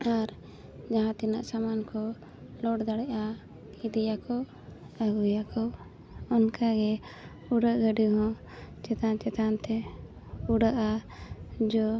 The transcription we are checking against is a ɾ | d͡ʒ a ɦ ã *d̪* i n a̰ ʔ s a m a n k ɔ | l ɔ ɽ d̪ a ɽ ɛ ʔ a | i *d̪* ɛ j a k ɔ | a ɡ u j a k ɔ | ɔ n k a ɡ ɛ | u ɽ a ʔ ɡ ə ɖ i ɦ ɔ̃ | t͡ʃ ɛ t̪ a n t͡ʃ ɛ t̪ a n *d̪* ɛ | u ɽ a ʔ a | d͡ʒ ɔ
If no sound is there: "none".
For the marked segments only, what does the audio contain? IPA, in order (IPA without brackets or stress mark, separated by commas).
t̪, d̪, t̪